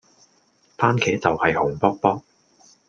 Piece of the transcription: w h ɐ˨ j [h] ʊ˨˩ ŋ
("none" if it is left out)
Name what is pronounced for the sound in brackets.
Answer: h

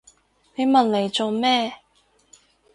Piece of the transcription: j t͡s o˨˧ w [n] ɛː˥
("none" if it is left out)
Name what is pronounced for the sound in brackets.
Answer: m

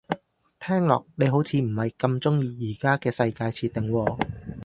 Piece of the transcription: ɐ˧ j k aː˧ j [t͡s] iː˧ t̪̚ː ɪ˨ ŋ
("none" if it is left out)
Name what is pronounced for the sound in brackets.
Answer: t͡sʰ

